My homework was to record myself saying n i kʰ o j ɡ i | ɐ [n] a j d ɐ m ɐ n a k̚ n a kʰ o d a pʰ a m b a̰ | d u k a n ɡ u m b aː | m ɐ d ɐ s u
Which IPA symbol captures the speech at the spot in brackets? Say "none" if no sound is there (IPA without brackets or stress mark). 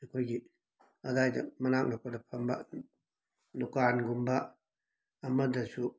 d